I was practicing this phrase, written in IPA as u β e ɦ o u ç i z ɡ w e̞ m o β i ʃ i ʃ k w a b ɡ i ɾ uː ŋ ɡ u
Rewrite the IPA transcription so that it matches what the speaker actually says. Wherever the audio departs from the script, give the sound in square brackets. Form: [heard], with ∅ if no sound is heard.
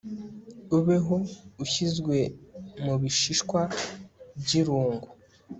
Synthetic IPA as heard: u β e ɦ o u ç i z ɡ w e̞ m [u] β i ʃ i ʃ k w a b [ɟ] i ɾ uː ŋ ɡ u